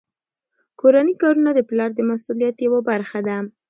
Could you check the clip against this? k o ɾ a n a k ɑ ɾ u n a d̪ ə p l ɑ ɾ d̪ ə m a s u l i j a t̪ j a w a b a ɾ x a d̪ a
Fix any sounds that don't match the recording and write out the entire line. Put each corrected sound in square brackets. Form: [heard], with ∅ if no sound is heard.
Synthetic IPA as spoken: k o ɾ a n [i] k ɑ ɾ u n a d̪ ə p l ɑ ɾ d̪ ə m a s u l i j a t̪ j a w a b a ɾ x a d̪ a